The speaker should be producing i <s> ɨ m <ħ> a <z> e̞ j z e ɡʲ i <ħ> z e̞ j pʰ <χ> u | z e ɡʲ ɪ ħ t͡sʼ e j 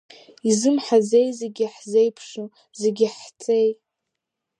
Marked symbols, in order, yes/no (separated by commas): no, yes, yes, yes, no